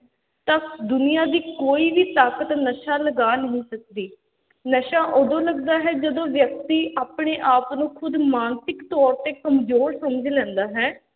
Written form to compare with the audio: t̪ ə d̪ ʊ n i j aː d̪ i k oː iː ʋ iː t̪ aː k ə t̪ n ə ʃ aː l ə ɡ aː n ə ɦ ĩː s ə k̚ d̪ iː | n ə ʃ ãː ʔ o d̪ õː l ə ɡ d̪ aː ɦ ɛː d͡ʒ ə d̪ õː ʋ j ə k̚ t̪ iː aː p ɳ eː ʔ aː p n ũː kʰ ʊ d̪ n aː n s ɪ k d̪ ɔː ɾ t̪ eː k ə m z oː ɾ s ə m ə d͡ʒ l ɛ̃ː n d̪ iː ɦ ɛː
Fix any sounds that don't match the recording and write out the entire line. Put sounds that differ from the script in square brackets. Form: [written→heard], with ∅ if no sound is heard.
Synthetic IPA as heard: t̪ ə d̪ ʊ n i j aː d̪ [i→iː] k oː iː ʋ iː t̪ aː k ə t̪ n ə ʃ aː l ə ɡ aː n ə ɦ ĩː s ə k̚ d̪ iː | n ə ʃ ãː ʔ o d̪ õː l ə ɡ d̪ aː ɦ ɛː d͡ʒ ə d̪ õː ʋ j ə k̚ t̪ iː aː p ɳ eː ʔ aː p n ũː kʰ ʊ d̪ [n→m] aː n s ɪ k [d̪→t̪] ɔː ɾ t̪ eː k ə m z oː ɾ s ə m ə d͡ʒ l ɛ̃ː n d̪ [iː→aː] ɦ ɛː